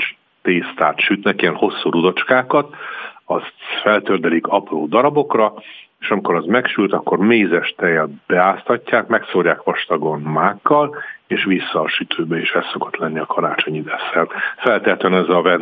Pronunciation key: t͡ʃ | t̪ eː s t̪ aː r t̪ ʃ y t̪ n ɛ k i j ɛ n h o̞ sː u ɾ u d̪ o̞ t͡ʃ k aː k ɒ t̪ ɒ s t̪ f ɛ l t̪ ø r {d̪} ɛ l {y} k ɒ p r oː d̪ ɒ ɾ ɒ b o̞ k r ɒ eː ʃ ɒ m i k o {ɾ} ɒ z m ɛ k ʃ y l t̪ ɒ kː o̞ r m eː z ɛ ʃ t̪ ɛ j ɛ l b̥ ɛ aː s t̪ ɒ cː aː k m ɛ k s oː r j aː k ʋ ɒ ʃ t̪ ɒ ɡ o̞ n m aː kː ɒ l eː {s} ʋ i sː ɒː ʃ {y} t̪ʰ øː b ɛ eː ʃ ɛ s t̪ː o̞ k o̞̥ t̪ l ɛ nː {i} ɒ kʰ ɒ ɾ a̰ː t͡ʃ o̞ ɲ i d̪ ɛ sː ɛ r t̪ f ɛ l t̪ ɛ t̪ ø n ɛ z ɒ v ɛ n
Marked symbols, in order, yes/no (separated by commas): yes, no, yes, no, yes, yes